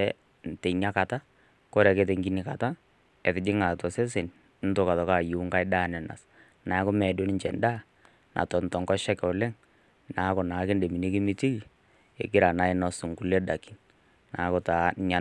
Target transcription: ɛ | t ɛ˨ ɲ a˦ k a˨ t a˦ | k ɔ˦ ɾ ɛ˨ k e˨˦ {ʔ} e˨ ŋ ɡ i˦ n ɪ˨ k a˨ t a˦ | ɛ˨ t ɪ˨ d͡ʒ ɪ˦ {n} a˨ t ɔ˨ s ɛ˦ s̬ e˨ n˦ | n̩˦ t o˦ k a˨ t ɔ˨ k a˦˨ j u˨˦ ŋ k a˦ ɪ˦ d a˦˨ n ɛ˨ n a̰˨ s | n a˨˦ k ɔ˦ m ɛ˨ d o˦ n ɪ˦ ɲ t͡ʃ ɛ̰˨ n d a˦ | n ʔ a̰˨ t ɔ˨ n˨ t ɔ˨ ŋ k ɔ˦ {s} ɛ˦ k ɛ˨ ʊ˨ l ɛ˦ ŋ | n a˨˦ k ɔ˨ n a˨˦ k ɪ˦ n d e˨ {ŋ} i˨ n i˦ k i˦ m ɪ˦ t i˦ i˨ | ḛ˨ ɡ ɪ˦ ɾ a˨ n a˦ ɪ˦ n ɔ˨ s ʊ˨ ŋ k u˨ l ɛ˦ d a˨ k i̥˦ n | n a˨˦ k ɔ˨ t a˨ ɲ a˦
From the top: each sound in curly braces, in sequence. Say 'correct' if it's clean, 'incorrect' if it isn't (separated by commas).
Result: incorrect, incorrect, incorrect, incorrect